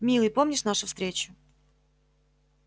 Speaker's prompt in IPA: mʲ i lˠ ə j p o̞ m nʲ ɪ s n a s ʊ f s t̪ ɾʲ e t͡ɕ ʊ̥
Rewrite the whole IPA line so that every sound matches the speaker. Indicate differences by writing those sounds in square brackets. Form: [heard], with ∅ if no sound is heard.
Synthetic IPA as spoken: mʲ i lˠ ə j p o̞ m nʲ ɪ [ʂ] n a [ʂ] ʊ f s t̪ ɾʲ e t͡ɕ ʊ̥